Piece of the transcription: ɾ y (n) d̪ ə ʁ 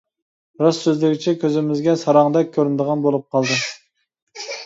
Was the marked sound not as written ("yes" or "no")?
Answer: no